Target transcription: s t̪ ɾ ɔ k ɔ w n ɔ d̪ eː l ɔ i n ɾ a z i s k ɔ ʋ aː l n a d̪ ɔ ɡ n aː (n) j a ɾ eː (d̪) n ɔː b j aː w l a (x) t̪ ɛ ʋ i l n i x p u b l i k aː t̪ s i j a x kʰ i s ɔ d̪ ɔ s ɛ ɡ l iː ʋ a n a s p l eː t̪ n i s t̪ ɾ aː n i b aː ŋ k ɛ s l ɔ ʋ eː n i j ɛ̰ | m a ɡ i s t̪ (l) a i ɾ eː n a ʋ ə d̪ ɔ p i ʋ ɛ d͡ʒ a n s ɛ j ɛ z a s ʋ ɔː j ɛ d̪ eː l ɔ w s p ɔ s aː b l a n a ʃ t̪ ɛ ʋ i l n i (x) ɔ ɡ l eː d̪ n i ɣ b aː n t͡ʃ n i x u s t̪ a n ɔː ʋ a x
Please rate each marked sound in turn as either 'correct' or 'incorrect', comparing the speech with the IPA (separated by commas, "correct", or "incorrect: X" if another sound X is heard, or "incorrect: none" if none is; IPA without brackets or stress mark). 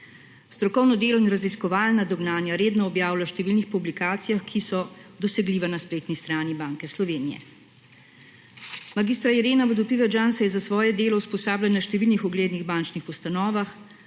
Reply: correct, correct, incorrect: ʃ, incorrect: ɾ, correct